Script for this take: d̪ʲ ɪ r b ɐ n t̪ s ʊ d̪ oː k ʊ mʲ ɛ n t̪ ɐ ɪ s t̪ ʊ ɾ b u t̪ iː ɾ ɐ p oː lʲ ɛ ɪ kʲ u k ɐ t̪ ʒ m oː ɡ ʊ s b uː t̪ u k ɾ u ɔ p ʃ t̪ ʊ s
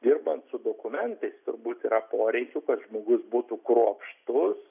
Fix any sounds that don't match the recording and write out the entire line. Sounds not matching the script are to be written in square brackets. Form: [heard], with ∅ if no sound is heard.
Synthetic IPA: d̪ʲ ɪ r b ɐ n t̪ s ʊ d̪ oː k ʊ mʲ ɛ n t̪ ɐ ɪ s t̪ ʊ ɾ b [uː] t̪ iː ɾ ɐ p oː [ɾʲ] ɛ ɪ kʲ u k ɐ t̪ ʒ m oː ɡ ʊ s b uː t̪ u k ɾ u ɔ p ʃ t̪ ʊ s